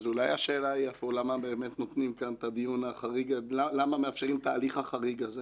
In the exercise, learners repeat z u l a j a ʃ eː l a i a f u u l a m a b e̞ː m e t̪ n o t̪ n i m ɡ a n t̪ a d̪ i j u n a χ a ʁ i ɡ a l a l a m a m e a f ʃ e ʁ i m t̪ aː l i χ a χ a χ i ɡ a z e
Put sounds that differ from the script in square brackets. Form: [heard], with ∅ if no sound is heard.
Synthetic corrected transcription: z u l a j a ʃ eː l a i a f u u l a m a b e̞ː m e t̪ n o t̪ n i m [k] a n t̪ a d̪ i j u n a χ a ʁ i ɡ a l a l a m a m e a f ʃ e ʁ i m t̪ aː l i χ a χ a [ʁ] i ɡ a z e